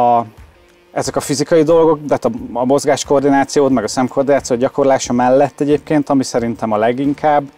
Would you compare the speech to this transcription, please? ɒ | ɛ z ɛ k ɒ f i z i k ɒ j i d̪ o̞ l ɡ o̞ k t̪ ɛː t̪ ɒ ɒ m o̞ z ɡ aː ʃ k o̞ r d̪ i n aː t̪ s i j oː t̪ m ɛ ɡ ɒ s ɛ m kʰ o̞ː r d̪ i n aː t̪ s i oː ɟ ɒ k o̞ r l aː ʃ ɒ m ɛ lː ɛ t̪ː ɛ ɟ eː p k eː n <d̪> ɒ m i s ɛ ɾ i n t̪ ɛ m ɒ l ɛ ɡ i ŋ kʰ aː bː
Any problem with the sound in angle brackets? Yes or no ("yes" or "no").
yes